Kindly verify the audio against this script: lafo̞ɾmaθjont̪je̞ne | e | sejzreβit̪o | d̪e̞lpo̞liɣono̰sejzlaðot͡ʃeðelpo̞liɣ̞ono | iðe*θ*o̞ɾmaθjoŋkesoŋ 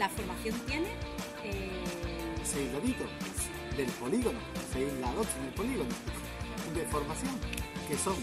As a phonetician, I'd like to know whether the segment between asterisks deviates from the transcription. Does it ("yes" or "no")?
yes